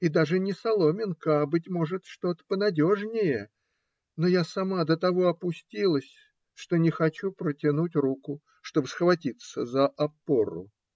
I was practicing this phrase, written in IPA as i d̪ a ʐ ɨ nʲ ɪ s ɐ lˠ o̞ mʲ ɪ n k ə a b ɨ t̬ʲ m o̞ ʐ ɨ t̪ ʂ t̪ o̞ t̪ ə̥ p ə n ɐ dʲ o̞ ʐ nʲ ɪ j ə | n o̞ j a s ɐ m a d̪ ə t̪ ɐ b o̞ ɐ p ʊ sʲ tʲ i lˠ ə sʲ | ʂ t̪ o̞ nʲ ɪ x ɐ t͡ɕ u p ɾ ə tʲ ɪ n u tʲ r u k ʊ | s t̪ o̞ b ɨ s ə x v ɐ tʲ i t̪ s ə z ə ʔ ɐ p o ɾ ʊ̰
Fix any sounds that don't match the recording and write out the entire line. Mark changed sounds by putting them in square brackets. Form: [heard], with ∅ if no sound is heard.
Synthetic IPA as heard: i d̪ a ʐ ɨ nʲ ɪ s ɐ lˠ o̞ mʲ ɪ n k ə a b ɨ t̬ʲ m o̞ ʐ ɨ t̪ ʂ t̪ o̞ t̪ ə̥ p ə n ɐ dʲ o̞ ʐ nʲ ɪ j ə | n o̞ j a s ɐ m a d̪ ə t̪ ɐ [v] o̞ ɐ p ʊ sʲ tʲ i lˠ ə sʲ | ʂ t̪ o̞ nʲ ɪ x ɐ t͡ɕ u p ɾ ə tʲ ɪ n u tʲ r u k ʊ | [ʂ] t̪ o̞ b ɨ s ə x v ɐ tʲ i t̪ s ə z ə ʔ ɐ p o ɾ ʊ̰